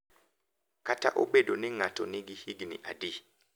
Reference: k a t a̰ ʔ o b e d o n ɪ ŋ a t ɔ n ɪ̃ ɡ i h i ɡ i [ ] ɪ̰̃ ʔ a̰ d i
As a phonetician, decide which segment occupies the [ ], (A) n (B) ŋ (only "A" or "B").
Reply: A